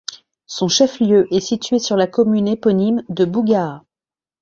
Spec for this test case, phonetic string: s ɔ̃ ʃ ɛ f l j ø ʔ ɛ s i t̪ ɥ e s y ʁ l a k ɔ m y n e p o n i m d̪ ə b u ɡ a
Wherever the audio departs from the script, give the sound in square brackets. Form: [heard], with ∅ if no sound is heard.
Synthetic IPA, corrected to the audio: s ɔ̃ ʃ ɛ f l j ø ʔ ɛ s i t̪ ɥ e s y ʁ l a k ɔ m y n e p [ɔ] n i m d̪ ə b u ɡ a